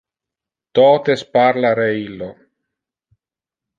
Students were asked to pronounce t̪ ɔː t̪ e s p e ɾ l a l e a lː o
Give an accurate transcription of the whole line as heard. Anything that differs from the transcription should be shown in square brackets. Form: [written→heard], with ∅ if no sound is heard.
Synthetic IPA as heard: t̪ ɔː t̪ e s p [e→a] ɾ l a [l→ɾ] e [a→i] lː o